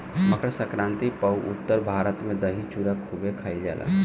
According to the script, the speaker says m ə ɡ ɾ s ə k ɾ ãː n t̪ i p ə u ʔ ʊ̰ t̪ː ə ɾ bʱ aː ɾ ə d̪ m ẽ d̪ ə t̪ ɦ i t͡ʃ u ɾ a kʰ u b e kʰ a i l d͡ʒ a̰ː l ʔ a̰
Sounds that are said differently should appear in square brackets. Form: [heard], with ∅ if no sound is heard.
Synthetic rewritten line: m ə [k] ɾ s ə k ɾ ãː n t̪ i p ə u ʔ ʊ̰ t̪ː ə ɾ bʱ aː ɾ ə [t̪] m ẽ d̪ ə [∅] ɦ i t͡ʃ u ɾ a kʰ u b e kʰ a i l d͡ʒ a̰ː l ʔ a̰